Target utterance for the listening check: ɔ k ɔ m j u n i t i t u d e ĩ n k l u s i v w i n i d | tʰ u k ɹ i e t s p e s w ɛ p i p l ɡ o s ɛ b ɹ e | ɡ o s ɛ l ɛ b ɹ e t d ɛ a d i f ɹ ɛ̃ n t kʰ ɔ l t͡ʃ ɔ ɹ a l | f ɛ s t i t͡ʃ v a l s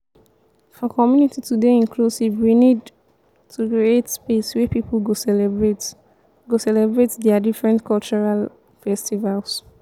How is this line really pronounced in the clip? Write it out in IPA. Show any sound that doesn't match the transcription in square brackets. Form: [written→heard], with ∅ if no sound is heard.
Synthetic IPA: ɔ k ɔ m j u n i t i t u d e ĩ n k l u s i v w i n i d | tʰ u k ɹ i e t s p e s w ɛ p i p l ɡ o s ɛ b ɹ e | ɡ o s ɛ l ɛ b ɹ e t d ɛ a d i f ɹ ɛ̃ n t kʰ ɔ l t͡ʃ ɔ ɹ a l | f ɛ s t i [t͡ʃ→∅] v a l s